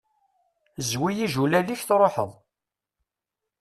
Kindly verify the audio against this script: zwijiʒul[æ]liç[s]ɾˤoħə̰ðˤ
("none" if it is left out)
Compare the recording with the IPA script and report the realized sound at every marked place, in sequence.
æ, θ

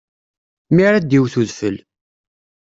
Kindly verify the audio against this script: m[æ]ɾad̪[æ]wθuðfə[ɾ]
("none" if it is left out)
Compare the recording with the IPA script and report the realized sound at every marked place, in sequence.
i, i, l

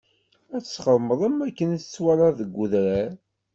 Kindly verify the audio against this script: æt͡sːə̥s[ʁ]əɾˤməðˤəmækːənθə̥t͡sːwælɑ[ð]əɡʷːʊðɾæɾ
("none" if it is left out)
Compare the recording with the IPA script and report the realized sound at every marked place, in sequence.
χ, ð

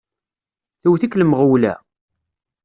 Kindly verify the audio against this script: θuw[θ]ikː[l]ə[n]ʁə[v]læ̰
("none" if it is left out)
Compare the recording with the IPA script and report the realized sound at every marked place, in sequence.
θ, l, m, w

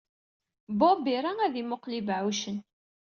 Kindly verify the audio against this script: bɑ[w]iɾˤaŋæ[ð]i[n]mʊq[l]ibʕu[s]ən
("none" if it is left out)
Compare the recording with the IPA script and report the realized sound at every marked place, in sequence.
b, ð, none, l, ʃ

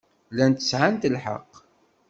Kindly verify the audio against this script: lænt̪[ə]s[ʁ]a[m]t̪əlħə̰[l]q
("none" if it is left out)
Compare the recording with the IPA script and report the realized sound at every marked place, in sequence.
ə, ʕ, n, none

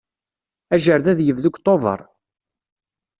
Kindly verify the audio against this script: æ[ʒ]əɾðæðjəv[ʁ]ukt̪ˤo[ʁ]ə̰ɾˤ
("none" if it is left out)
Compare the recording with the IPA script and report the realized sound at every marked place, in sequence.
ʒ, ð, v

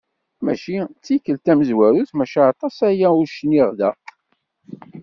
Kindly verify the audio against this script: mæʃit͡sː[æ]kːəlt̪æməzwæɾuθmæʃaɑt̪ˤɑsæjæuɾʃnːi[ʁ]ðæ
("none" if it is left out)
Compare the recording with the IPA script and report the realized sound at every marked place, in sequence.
i, ʁ

